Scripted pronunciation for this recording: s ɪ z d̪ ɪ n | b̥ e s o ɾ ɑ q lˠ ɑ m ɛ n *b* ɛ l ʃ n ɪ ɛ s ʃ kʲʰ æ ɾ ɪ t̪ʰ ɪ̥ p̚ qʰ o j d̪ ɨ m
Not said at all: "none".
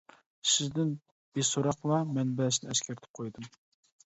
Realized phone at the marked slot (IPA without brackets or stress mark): b